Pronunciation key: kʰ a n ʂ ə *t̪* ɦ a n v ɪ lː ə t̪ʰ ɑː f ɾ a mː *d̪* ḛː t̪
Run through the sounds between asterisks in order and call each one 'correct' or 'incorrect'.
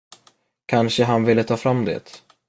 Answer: incorrect, correct

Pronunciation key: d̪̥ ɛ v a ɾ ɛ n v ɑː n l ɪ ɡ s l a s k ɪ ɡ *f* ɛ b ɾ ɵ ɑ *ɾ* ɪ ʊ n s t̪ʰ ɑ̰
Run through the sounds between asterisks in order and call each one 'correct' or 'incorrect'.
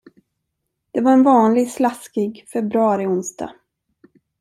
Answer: correct, correct

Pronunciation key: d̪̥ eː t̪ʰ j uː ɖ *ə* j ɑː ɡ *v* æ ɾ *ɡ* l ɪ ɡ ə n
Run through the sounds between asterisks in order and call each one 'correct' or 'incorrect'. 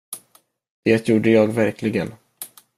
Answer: correct, correct, incorrect

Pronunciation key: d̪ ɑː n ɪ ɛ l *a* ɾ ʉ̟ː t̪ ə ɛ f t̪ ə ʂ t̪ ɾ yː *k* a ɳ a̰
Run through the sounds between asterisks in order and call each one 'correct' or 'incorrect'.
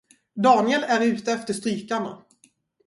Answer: incorrect, correct

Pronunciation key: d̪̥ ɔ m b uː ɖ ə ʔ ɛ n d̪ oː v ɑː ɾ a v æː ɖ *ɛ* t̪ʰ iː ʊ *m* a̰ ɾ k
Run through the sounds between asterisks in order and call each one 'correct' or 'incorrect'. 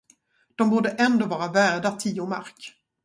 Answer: incorrect, correct

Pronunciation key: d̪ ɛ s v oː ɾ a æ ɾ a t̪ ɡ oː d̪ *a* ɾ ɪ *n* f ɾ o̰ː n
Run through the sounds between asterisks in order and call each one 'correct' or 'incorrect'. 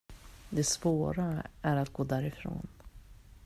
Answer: incorrect, incorrect

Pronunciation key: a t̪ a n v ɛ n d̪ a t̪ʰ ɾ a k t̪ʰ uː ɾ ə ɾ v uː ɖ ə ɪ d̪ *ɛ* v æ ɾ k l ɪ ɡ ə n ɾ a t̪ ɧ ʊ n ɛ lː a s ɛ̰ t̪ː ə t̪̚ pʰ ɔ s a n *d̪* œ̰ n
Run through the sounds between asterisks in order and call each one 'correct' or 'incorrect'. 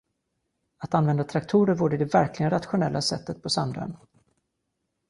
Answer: correct, correct

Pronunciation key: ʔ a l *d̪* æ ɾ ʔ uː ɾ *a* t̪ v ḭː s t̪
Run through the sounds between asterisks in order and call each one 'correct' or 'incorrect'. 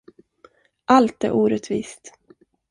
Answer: incorrect, incorrect

